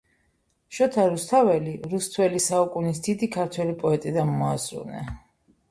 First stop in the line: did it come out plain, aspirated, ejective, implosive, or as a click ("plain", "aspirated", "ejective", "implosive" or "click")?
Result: aspirated